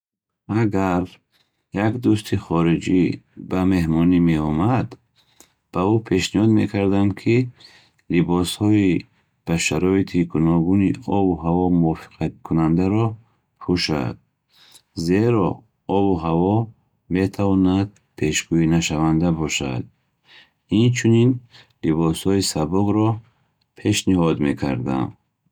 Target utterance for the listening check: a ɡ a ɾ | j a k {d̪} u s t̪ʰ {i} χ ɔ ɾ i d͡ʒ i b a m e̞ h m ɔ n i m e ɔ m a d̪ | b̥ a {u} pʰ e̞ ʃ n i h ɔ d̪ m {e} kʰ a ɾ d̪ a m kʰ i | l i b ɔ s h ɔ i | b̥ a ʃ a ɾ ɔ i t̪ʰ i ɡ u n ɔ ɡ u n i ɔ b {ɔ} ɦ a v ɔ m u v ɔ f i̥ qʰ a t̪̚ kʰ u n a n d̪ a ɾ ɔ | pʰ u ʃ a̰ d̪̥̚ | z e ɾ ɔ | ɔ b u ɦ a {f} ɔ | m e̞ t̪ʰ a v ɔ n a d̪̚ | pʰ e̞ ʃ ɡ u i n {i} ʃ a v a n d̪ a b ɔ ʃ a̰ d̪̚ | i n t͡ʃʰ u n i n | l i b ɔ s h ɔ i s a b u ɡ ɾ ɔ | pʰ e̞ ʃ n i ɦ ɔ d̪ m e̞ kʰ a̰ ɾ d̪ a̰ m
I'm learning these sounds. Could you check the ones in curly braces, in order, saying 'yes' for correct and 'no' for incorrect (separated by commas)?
yes, yes, yes, yes, no, no, no